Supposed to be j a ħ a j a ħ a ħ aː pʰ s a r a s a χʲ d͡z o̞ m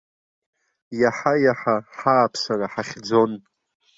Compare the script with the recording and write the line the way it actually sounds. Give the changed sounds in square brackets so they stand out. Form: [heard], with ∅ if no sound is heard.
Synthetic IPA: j a ħ a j a ħ a ħ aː pʰ s a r a [ħ] a χʲ d͡z o̞ [n]